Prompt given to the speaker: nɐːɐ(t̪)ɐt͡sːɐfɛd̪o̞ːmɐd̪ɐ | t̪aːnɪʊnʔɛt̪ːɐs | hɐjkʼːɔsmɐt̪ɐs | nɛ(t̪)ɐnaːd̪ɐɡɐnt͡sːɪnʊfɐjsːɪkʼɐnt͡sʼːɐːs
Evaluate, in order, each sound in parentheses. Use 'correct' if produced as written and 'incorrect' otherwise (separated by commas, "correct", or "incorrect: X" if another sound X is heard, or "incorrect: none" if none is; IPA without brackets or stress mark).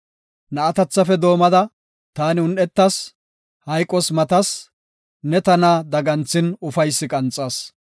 correct, correct